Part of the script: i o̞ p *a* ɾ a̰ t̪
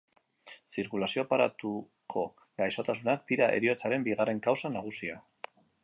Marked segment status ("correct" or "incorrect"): correct